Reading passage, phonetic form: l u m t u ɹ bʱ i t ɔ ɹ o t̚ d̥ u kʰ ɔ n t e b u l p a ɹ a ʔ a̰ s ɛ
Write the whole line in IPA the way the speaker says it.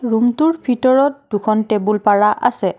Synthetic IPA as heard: ɹ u m t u ɹ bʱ i t ɔ ɹ ɔ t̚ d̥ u kʰ ɔ n t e b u l p a ɹ a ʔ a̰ s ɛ